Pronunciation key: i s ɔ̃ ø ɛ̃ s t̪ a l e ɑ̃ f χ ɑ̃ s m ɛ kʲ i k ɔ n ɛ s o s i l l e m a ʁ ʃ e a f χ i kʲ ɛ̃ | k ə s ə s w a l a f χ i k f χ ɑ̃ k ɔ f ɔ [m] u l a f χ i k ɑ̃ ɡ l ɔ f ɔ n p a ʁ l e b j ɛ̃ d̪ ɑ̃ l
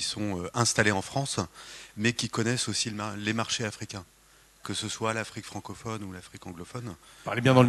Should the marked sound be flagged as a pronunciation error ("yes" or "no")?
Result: yes